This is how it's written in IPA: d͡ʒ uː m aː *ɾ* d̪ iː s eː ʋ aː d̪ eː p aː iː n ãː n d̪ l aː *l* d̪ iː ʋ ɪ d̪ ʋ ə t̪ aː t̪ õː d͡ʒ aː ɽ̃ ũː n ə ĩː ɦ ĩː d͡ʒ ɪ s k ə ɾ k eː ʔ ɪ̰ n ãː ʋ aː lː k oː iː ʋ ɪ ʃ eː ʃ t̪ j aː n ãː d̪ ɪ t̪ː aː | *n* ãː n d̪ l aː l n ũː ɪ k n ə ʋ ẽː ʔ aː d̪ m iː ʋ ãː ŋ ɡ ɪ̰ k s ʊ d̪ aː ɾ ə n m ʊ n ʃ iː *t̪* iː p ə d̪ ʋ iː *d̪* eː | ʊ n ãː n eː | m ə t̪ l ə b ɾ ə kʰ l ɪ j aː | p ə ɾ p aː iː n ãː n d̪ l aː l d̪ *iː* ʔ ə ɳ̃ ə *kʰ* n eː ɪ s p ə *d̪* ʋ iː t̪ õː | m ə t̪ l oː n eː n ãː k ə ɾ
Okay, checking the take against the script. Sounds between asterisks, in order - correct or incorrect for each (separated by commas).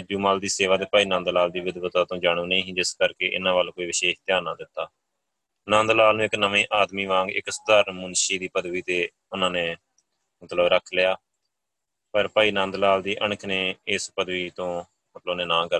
incorrect, correct, correct, incorrect, incorrect, correct, correct, correct